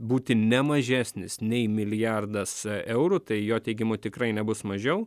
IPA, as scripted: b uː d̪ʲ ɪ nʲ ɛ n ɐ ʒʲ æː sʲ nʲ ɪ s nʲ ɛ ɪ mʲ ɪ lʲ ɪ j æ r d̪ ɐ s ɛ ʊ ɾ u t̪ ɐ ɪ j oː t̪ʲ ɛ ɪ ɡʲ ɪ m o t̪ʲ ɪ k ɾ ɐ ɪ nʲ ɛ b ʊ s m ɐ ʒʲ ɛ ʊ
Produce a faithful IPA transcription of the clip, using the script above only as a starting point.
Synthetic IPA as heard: b uː t̪ʲ ɪ nʲ ɛ m ɐ ʒʲ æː sʲ nʲ ɪ s nʲ ɛ ɪ mʲ ɪ lʲ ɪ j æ r d̪ ɐ s ɛ ʊ ɾ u t̪ ɐ ɪ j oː t̪ʲ ɛ ɪ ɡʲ ɪ m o t̪ʲ ɪ k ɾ ɐ ɪ nʲ ɛ b ʊ s m ɐ ʒʲ ɛ ʊ